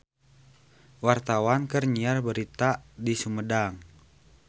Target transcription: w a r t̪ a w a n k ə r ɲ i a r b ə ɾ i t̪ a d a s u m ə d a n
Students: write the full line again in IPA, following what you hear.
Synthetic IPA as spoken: w a r t̪ a w a n k ə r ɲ i a r b ə ɾ i t̪ a d i s u m ə d a ŋ